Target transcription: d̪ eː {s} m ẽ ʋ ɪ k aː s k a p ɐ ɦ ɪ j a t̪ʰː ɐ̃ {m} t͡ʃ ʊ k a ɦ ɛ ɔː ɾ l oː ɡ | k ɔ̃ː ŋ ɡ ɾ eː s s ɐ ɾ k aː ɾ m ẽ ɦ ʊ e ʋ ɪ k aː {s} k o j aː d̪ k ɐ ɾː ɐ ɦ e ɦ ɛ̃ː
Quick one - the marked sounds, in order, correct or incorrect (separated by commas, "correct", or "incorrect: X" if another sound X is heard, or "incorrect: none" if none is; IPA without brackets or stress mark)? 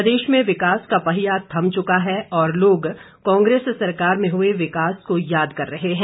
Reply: incorrect: ʃ, correct, correct